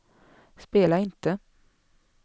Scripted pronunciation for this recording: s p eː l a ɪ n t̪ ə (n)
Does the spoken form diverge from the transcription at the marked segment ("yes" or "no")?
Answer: yes